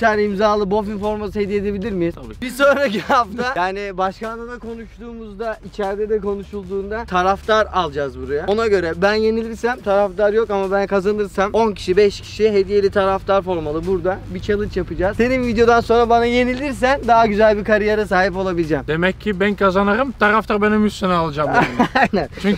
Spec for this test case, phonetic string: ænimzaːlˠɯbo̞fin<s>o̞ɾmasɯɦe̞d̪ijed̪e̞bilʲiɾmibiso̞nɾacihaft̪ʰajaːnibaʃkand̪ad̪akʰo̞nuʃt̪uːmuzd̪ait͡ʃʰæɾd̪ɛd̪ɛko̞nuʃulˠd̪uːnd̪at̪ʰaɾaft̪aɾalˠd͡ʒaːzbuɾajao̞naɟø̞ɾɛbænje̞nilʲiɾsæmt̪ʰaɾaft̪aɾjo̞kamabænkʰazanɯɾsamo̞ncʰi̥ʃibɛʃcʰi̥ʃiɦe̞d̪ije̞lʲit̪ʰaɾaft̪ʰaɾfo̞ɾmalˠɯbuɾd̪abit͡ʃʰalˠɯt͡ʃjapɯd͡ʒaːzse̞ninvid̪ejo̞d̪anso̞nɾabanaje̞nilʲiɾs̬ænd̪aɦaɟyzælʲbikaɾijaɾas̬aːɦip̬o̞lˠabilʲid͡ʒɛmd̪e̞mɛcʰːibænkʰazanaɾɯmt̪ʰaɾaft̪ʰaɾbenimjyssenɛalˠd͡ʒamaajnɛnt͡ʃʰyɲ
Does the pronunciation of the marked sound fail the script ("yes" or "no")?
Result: yes